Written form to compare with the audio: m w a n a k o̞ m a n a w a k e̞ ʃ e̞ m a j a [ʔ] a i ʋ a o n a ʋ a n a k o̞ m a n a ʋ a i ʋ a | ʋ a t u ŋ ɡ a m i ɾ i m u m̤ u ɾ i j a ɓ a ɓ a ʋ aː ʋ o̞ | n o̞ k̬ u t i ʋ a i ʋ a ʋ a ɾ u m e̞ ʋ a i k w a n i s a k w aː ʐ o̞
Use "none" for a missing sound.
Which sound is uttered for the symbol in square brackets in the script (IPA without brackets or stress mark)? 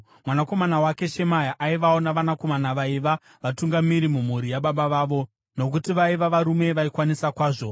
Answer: ʔ